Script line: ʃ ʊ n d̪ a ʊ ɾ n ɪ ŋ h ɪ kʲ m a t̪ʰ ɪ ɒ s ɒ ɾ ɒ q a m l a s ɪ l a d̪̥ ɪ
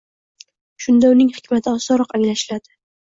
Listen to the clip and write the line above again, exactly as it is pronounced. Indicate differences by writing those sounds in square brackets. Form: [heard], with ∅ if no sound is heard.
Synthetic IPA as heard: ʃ ʊ n d̪ a ʊ [∅] n ɪ ŋ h ɪ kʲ m a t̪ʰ ɪ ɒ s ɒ ɾ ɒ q a [ŋ] l a [ʃ] ɪ l a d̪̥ ɪ